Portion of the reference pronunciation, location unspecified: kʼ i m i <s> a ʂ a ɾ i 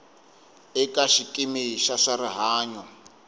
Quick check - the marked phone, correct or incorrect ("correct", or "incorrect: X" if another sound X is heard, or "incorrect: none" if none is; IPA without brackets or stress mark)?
incorrect: ʃ